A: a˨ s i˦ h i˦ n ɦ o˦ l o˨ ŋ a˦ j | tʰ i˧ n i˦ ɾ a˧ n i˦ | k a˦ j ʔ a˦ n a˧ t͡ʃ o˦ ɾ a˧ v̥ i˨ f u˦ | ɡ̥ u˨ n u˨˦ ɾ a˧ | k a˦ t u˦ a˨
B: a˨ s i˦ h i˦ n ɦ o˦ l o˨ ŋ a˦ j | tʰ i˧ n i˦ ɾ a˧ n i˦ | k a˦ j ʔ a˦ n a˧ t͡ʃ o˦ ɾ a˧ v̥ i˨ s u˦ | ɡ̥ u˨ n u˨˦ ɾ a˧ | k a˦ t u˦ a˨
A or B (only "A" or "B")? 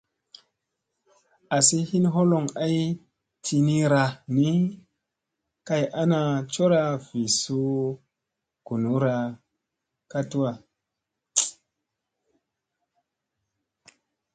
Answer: B